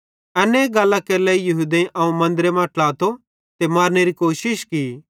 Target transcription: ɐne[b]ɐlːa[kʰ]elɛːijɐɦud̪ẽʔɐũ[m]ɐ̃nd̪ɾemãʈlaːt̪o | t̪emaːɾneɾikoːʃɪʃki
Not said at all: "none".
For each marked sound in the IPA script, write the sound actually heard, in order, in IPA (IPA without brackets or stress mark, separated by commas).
ɡ, k, m